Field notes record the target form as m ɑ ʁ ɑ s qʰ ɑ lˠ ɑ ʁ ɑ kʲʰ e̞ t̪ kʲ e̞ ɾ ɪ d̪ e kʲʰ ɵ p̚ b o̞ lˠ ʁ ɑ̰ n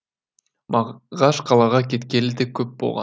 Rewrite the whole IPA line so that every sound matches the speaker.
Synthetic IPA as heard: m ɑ ʁ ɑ ʃ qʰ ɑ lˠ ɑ ʁ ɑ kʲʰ e̞ t̪ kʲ e̞ l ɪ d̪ e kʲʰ ɵ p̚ b o̞ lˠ ʁ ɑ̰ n